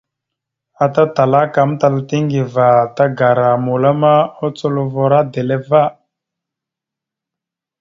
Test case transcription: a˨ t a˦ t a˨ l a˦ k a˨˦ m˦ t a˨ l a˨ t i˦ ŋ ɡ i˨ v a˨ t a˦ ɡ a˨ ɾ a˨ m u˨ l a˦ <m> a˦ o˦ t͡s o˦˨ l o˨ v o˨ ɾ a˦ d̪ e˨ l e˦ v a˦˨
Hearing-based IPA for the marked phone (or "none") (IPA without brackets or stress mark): m